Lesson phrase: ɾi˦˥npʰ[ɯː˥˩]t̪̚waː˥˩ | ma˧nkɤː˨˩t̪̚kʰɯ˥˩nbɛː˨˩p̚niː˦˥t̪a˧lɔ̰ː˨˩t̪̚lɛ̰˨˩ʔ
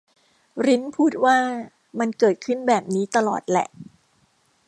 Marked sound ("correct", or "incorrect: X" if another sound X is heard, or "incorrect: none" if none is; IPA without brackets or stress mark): incorrect: uː˥˩